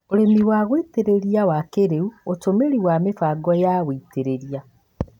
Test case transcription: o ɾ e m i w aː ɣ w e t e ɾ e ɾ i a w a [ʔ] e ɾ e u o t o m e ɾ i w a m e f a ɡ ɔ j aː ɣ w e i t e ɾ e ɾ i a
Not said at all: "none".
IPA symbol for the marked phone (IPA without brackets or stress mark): k